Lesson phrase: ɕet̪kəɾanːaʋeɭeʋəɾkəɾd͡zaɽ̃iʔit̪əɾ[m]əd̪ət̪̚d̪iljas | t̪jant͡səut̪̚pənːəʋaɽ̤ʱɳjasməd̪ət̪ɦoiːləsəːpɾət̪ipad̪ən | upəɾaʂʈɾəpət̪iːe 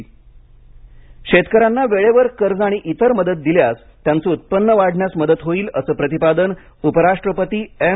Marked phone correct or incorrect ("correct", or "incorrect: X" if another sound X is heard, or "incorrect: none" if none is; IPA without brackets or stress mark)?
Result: correct